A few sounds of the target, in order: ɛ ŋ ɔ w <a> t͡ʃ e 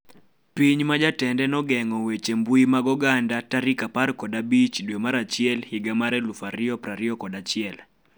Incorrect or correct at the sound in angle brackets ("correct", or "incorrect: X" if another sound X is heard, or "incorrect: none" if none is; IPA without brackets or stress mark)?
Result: incorrect: e